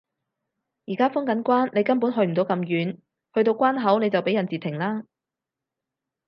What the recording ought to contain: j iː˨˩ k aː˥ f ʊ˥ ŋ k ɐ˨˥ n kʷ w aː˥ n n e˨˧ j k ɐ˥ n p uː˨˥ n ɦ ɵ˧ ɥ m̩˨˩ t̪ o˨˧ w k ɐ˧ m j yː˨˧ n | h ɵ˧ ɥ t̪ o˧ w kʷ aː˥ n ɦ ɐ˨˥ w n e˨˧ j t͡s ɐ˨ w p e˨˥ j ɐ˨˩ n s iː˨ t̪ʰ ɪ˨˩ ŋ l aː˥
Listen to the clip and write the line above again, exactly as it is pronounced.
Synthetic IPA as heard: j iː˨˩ k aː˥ f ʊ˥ ŋ k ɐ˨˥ n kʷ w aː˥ n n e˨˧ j k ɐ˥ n p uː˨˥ n ɦ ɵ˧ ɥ m̩˨˩ t̪ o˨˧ w k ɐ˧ m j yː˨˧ n | h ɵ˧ ɥ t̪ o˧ w kʷ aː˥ n ɦ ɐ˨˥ w n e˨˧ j t͡s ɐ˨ w p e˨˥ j ɐ˨˩ n t͡s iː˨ t̪ʰ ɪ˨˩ ŋ l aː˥